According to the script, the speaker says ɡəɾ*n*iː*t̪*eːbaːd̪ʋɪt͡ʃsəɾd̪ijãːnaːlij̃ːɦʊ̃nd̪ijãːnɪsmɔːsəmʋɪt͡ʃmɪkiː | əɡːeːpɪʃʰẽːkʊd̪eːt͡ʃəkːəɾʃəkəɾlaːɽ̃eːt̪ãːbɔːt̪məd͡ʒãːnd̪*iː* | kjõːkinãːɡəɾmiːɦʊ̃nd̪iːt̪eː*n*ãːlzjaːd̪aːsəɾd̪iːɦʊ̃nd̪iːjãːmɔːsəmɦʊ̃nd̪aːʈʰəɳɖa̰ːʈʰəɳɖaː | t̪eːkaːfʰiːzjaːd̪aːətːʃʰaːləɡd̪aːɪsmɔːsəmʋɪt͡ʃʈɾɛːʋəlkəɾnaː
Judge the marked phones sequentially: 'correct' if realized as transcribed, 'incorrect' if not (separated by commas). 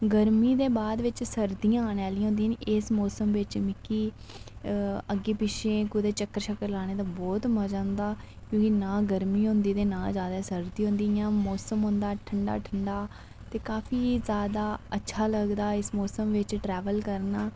incorrect, incorrect, incorrect, correct